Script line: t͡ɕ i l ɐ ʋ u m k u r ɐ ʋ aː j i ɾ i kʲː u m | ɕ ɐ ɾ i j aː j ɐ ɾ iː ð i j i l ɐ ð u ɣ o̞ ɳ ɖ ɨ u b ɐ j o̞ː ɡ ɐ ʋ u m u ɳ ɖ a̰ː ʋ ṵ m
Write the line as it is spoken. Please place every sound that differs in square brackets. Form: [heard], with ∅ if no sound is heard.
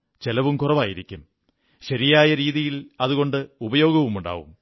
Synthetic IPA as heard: t͡ɕ [e] l ɐ ʋ u m k u r ɐ ʋ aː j i ɾ i kʲː u m | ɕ ɐ ɾ i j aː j ɐ ɾ iː ð i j i l ɐ ð u ɣ o̞ ɳ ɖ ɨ u b ɐ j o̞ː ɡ ɐ ʋ u m u ɳ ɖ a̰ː ʋ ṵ m